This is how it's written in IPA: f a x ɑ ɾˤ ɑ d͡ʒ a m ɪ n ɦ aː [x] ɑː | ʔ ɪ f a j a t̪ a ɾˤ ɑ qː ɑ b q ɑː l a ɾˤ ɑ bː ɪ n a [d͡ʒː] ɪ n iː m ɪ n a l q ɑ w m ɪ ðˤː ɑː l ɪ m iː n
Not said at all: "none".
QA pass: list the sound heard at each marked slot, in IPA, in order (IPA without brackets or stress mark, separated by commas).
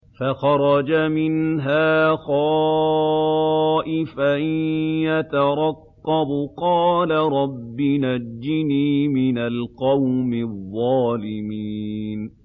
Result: x, d͡ʒː